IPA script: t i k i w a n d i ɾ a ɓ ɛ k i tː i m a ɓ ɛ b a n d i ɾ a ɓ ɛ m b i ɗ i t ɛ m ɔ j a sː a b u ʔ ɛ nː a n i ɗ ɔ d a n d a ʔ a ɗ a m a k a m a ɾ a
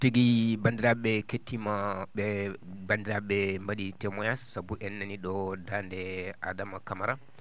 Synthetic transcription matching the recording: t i ɡ i b a n d i ɾ a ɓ ɛ k e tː i m a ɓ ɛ b a n d i ɾ a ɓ ɛ m b a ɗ i t ɛ m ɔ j a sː a b u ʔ ɛ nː a n i ɗ ɔ d a n d ɛ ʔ a d a m a k a m a ɾ a

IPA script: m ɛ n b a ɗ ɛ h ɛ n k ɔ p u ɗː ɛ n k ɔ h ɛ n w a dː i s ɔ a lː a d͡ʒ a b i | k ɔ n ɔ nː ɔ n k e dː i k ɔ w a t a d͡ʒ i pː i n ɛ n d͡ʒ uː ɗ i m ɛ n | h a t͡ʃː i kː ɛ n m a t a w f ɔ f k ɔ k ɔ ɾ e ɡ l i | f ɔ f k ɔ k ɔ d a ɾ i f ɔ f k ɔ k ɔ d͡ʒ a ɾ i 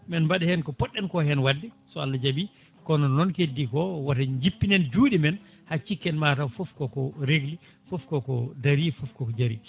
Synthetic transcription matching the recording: m ɛ n b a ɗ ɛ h ɛ n k ɔ p ɔ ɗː ɛ n k ɔ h ɛ n w a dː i s ɔ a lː a d͡ʒ a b i | k ɔ n ɔ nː ɔ n k e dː i k ɔ w a t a d͡ʒ i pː i n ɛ n d͡ʒ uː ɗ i m ɛ n | h a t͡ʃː i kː ɛ n m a t a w f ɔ f k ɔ k ɔ ɾ e ɡ l i | f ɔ f k ɔ k ɔ d a ɾ i f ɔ f k ɔ k ɔ d͡ʒ a ɾ i

